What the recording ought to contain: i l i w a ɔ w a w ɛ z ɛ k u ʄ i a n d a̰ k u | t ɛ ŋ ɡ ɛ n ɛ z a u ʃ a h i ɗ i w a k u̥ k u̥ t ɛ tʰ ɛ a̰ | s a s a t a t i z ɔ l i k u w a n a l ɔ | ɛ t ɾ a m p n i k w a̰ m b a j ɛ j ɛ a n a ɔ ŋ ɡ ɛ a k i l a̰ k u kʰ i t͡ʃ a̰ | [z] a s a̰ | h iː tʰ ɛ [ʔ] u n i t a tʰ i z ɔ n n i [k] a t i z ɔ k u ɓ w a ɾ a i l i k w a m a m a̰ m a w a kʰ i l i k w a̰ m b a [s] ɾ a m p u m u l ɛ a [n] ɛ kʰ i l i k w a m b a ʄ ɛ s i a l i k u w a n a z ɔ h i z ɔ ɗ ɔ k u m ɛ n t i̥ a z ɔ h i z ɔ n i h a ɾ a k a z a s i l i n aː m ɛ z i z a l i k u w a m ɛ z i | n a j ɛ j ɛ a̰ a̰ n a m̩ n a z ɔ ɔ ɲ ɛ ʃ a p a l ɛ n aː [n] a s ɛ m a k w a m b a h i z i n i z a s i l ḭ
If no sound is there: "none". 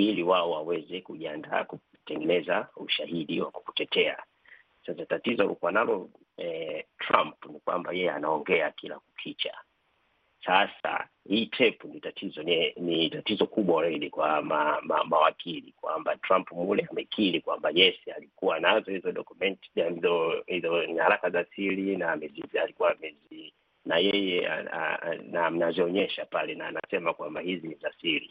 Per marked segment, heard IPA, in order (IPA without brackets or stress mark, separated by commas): s, p, t, t, m, n